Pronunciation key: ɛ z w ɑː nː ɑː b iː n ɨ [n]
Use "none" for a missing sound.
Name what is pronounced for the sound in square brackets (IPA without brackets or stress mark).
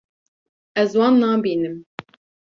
m